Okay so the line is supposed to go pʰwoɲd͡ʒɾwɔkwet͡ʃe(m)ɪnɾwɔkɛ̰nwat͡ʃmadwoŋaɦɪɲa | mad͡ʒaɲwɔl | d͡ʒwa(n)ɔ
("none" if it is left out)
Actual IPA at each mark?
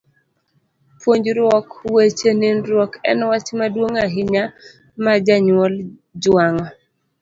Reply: n, ŋ

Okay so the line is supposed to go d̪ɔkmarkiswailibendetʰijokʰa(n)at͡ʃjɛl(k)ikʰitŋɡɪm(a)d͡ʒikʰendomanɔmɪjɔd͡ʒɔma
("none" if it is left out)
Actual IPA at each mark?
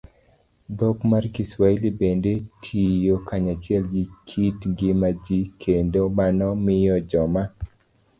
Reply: ɲ, ɡ, a

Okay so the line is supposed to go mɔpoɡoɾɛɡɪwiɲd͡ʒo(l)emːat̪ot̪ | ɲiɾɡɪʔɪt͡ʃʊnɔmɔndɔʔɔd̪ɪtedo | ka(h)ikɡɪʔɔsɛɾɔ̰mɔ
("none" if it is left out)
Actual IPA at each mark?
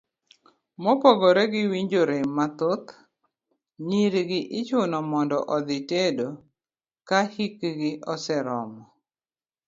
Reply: ɾ, h

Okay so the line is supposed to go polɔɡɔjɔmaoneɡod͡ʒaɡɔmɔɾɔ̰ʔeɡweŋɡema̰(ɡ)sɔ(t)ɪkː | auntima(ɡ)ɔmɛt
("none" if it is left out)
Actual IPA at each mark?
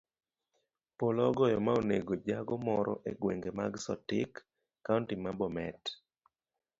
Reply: ɡ, t, b

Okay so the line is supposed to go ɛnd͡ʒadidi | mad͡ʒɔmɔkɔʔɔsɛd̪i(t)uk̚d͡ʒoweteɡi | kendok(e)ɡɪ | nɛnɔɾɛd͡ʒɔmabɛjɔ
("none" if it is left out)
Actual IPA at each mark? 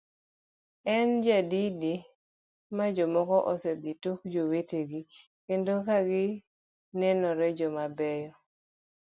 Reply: t, a

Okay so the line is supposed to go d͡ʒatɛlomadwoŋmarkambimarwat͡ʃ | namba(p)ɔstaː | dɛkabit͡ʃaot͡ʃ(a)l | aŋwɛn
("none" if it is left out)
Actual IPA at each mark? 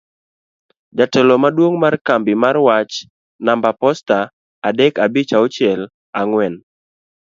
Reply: p, ɛ

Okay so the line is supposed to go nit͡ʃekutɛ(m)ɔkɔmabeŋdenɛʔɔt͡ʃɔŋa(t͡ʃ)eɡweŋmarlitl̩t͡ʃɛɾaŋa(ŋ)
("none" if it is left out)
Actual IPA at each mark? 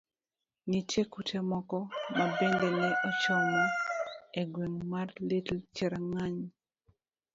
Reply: m, none, ɲ

